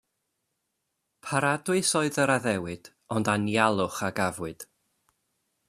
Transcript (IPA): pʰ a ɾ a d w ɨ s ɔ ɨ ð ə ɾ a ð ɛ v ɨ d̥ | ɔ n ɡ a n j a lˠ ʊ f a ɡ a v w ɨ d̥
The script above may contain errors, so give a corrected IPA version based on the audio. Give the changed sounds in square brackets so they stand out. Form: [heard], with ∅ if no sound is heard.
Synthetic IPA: pʰ a ɾ a d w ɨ s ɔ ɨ ð ə ɾ a ð ɛ [w] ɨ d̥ | ɔ n [d] a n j a lˠ ʊ [χ] a ɡ a v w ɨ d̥